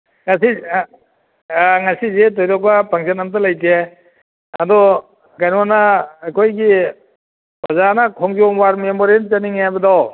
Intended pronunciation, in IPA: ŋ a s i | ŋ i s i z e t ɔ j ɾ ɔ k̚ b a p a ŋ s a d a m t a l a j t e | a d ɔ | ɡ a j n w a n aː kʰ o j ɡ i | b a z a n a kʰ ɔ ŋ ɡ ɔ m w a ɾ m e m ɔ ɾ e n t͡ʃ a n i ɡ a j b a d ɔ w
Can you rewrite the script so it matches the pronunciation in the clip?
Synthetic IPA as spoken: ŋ a s i | ŋ a s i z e t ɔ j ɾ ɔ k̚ b a p a ŋ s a n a m t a l a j t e | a d ɔ | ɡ a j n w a n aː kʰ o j ɡ i | b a z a n a kʰ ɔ ŋ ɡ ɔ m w a ɾ m e m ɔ ɾ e n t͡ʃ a n i ŋ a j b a d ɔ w